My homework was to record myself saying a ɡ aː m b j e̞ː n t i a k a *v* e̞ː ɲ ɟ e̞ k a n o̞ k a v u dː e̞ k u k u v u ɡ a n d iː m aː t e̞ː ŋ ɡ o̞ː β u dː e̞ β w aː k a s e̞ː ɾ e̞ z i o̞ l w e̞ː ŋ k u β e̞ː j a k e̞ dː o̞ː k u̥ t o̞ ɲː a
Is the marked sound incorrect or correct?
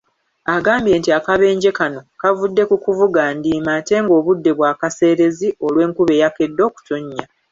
incorrect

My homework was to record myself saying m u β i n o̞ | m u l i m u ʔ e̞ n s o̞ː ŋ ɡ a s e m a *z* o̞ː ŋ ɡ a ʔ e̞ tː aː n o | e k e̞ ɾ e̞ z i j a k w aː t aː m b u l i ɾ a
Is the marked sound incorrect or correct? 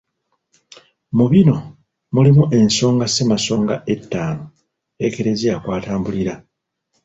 incorrect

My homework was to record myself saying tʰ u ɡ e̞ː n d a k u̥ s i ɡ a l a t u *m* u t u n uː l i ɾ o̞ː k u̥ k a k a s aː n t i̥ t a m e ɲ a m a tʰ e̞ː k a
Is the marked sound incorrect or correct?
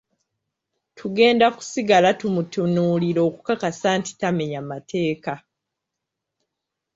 correct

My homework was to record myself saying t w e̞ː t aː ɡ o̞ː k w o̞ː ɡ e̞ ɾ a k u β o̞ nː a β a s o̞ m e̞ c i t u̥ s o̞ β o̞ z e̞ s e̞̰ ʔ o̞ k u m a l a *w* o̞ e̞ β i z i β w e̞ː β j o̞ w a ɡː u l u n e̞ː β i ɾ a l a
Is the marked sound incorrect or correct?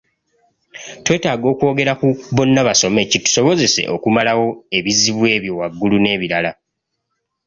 correct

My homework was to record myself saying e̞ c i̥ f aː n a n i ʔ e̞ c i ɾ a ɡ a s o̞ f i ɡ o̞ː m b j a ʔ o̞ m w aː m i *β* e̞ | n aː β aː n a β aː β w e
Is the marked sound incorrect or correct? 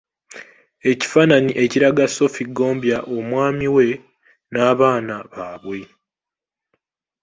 incorrect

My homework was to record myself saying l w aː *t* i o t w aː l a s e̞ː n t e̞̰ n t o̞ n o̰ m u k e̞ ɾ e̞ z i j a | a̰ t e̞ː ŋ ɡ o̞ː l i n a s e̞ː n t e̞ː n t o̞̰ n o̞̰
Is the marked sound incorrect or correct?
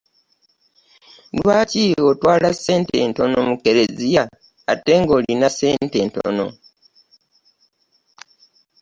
incorrect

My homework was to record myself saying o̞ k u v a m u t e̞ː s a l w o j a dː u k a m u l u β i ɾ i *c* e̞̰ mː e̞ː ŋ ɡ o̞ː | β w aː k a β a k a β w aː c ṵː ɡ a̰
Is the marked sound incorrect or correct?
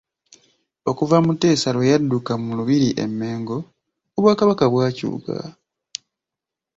incorrect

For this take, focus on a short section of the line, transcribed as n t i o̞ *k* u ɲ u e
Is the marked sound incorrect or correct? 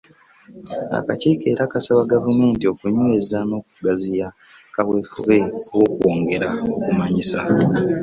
correct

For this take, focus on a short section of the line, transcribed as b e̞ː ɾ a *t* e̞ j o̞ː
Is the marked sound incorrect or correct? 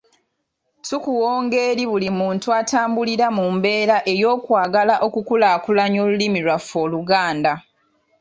incorrect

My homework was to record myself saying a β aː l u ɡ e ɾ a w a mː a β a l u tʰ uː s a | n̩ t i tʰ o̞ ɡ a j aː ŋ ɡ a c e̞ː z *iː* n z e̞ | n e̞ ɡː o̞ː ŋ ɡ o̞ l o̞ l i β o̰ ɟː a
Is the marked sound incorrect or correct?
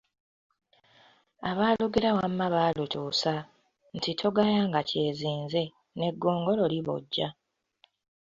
correct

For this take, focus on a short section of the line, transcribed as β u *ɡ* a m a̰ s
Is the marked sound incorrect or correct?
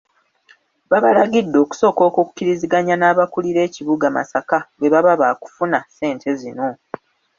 correct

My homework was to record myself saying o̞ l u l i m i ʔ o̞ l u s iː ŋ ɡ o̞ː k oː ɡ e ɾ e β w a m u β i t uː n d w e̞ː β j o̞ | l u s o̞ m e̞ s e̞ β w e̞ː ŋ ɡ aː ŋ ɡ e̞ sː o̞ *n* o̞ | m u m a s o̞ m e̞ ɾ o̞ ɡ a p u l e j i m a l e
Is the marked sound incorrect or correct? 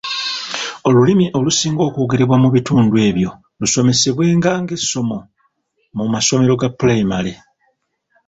incorrect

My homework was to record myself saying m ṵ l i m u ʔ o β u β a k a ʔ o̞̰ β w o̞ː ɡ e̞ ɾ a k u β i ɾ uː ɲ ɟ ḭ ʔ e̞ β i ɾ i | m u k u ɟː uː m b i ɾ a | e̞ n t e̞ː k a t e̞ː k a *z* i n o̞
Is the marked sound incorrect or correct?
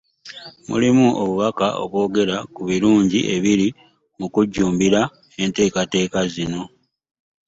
correct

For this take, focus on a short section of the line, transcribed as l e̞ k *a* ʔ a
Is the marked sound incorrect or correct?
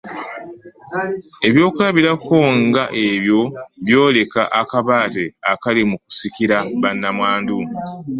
correct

